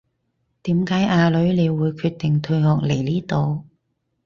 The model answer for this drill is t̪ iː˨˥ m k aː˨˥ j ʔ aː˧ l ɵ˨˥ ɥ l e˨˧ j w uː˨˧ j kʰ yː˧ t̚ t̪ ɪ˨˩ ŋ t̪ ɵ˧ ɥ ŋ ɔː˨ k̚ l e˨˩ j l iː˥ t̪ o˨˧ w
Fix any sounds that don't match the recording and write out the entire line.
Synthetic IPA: t̪ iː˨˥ m k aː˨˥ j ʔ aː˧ l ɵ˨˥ ɥ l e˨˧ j w uː˨˧ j kʰ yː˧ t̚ t̪ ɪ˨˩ ŋ t̪ʰ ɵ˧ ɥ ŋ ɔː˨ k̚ l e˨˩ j l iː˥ t̪ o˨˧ w